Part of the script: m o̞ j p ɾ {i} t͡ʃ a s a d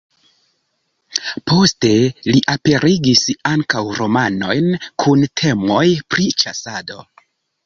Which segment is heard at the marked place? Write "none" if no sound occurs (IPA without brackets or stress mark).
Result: i